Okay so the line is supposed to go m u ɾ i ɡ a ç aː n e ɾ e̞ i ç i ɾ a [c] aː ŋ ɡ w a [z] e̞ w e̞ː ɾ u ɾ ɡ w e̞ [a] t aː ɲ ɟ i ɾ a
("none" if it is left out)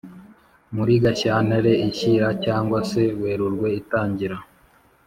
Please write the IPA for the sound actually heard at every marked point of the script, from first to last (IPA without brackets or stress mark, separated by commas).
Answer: c, s, i